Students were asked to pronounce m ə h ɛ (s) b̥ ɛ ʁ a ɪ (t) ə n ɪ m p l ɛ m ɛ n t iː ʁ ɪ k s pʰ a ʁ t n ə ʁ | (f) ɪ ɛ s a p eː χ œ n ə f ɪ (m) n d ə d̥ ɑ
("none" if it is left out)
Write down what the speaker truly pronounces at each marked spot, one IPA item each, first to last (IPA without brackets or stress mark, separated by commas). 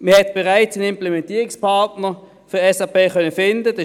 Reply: t, t͡s, f, none